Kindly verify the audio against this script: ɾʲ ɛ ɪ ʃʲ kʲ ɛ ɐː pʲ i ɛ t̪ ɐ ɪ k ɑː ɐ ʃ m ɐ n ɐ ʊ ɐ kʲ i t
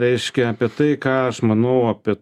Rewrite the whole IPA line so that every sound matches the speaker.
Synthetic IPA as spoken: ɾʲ ɛ ɪ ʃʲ kʲ ɛ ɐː pʲ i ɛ t̪ ɐ ɪ k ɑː ɐ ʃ m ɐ n ɐ ʊ ɐ pʲ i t

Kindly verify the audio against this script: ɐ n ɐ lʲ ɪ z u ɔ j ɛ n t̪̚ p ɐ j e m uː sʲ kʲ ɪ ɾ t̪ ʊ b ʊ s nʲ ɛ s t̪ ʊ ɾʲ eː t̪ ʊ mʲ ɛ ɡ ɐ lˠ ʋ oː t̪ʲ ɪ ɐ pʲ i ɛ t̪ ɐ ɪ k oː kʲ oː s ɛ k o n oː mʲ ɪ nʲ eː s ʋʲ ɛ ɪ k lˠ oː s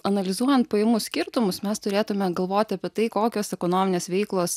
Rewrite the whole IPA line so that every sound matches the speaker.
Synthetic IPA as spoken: ɐ n ɐ lʲ ɪ z u ɔ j ɛ n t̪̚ p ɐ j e m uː sʲ kʲ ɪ ɾ t̪ ʊ m ʊ s mʲ ɛ s t̪ ʊ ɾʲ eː t̪ ʊ mʲ ɛ ɡ ɐ lˠ ʋ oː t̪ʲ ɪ ɐ pʲ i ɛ t̪ ɐ ɪ k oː kʲ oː s ɛ k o n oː mʲ ɪ nʲ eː s ʋʲ ɛ ɪ k lˠ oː s

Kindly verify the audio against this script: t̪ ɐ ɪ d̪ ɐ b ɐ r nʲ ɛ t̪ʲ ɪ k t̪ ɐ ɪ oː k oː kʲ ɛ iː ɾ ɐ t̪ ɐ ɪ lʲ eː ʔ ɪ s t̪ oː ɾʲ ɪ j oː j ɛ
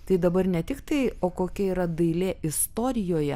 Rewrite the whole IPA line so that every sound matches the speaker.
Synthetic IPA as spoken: t̪ ɐ ɪ d̪ ɐ b ɐ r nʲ ɛ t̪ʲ ɪ k t̪ ɐ ɪ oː k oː kʲ ɛ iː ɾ ɐ d̪ ɐ ɪ lʲ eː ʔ ɪ s t̪ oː ɾʲ ɪ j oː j ɛ

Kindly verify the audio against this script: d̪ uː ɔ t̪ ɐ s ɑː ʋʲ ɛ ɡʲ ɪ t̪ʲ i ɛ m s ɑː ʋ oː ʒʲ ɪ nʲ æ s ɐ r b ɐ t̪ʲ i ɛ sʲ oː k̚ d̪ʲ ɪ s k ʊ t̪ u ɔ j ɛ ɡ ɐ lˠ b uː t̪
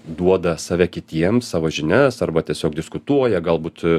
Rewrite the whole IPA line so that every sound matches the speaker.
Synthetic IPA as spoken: d̪ u ɔ d̪ ɐ s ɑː ʋʲ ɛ kʲ ɪ t̪ʲ i ɛ m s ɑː ʋ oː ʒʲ ɪ nʲ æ s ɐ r b ɐ t̪ʲ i ɛ sʲ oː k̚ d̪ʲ ɪ s k ʊ t̪ u ɔ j ɛ ɡ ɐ lˠ b uː t̪

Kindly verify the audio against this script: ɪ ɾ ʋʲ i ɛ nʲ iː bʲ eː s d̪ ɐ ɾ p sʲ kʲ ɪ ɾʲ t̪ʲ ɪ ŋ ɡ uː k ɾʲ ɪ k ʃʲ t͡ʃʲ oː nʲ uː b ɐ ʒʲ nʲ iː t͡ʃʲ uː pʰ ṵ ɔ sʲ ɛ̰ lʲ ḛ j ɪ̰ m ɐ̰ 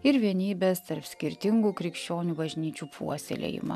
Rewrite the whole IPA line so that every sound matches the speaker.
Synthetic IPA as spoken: ɪ ɾ ʋʲ i ɛ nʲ iː bʲ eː s t̪ ɐ ɾ p sʲ kʲ ɪ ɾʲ t̪ʲ ɪ ŋ ɡ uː k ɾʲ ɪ k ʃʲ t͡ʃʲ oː nʲ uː b ɐ ʒʲ nʲ iː t͡ʃʲ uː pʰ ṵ ɔ sʲ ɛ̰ lʲ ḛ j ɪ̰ m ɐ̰

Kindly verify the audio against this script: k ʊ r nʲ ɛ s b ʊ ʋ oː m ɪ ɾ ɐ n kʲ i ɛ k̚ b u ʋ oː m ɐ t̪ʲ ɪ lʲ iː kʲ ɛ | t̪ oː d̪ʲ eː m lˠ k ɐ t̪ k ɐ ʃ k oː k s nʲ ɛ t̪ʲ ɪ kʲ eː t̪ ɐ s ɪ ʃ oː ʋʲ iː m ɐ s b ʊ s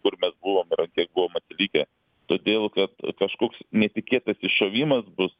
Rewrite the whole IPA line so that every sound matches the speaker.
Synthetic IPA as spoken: k ʊ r mʲ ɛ s b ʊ ʋ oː m ɪ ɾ ɐ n kʲ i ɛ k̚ b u ʋ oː m ɐ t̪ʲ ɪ lʲ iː kʲ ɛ | t̪ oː d̪ʲ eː lˠ k ɐ t̪ k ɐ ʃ k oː k s nʲ ɛ t̪ʲ ɪ kʲ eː t̪ ɐ s ɪ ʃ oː ʋʲ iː m ɐ s b ʊ s

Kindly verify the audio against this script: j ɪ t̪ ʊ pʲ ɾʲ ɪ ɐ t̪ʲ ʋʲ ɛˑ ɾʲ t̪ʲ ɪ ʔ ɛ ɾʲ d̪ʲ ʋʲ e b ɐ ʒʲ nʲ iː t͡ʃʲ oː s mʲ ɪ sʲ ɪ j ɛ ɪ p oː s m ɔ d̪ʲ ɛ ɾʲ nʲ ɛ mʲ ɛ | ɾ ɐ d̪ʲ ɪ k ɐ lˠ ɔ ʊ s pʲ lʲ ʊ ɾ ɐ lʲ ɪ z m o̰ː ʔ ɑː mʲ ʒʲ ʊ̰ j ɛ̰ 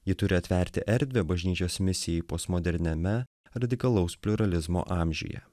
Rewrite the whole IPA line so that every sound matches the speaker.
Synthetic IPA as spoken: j ɪ t̪ ʊ ɾʲ ɪ ɐ t̪ʲ ʋʲ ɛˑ ɾʲ t̪ʲ ɪ ʔ ɛ ɾʲ d̪ʲ ʋʲ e b ɐ ʒʲ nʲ iː t͡ʃʲ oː s mʲ ɪ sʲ ɪ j ɛ ɪ p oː s m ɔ d̪ʲ ɛ ɾʲ nʲ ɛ mʲ ɛ | ɾ ɐ d̪ʲ ɪ k ɐ lˠ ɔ ʊ s pʲ lʲ ʊ ɾ ɐ lʲ ɪ z m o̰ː ʔ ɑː mʲ ʒʲ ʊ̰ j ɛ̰

